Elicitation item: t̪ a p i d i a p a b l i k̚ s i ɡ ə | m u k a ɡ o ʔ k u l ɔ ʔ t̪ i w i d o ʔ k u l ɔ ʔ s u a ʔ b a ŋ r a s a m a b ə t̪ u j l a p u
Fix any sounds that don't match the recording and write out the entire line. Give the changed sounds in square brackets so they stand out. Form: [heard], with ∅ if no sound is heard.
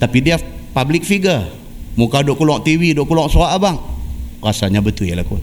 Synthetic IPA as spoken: t̪ a p i d i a p a b l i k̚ [f] i ɡ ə | m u k a [d] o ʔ k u l ɔ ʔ t̪ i w i d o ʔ k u l ɔ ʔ s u a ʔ b a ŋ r a s a [ɲ] a b ə t̪ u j l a [k] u